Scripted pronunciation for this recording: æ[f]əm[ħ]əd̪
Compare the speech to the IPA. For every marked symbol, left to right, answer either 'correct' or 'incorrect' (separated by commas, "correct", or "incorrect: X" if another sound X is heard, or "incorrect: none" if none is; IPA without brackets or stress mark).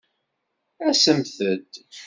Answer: incorrect: s, incorrect: θ